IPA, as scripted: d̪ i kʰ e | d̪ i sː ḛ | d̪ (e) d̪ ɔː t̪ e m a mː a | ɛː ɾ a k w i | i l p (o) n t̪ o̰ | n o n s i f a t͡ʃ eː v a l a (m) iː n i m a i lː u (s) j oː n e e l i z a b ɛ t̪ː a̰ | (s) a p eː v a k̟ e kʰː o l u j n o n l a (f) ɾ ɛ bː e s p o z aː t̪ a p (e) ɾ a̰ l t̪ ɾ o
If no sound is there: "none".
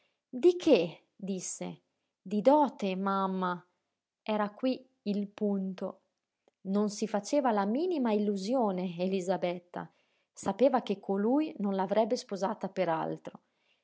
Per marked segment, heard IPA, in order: i, u, m, z, s, v, e

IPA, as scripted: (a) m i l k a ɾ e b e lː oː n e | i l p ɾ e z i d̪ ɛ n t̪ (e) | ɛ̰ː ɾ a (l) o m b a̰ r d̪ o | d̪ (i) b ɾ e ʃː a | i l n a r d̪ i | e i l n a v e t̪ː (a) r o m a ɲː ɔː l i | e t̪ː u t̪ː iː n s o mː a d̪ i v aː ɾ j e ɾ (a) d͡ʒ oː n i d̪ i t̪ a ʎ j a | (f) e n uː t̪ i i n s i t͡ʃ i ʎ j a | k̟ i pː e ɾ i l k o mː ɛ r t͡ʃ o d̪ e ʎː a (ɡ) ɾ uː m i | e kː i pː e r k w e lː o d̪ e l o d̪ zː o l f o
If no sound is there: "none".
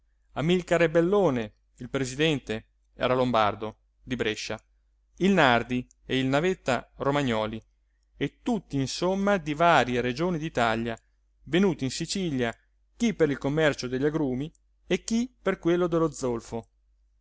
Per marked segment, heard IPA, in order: a, e, l, i, a, e, v, ɡ

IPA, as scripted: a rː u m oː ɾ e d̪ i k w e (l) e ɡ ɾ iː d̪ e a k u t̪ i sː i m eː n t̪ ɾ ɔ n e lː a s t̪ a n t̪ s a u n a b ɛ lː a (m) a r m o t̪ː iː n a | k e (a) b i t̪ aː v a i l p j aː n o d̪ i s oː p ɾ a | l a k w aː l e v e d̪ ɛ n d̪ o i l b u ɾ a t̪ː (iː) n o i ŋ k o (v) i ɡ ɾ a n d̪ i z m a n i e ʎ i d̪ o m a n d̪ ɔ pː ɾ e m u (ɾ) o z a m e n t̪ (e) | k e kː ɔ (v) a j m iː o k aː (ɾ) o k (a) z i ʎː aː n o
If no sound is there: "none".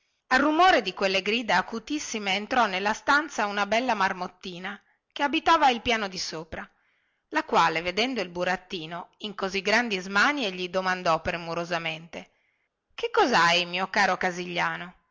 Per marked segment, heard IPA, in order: lː, m, a, iː, z, ɾ, e, z, ɾ, a

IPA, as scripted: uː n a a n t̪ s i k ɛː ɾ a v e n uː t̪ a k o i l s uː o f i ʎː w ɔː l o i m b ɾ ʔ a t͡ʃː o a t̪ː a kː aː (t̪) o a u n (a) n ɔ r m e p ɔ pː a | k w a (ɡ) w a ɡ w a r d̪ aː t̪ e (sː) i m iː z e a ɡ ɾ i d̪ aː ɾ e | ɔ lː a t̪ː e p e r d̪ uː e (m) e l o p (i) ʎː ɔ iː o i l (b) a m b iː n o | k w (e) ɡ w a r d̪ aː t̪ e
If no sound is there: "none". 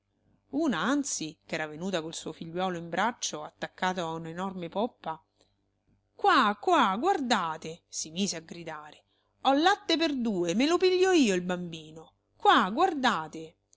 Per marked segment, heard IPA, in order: t̪, e, k, s, m, i, b, a

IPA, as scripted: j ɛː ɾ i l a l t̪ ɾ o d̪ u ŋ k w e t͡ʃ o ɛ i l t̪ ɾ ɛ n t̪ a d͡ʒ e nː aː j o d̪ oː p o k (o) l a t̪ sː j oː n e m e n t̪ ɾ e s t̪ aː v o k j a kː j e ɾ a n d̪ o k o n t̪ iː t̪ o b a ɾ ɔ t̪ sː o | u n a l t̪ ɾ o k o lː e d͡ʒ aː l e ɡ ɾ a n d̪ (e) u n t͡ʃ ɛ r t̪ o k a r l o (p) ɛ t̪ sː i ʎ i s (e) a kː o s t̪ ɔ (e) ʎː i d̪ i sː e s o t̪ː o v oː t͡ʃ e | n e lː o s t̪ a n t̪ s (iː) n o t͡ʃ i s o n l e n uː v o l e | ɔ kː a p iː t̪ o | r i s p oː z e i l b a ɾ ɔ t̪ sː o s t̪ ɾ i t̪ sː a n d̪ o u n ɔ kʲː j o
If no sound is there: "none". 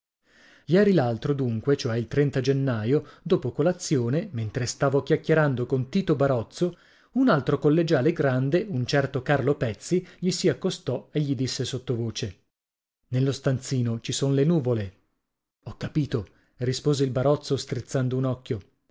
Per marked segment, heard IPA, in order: o, e, p, i, e, iː

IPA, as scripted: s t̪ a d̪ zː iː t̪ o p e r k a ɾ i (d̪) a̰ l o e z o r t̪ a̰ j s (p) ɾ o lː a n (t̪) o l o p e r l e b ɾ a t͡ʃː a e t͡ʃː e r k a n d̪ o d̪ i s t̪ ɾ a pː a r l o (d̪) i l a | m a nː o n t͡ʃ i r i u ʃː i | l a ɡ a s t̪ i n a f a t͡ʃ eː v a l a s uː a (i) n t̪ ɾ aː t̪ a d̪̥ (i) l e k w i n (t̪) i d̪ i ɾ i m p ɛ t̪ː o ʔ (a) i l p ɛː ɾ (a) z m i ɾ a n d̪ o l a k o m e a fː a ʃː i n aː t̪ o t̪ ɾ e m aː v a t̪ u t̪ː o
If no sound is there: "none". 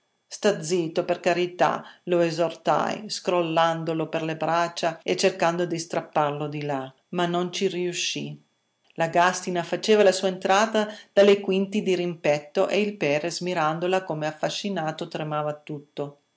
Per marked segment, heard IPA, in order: t̪, k, d̪, d̪, e, a, t̪, e, e

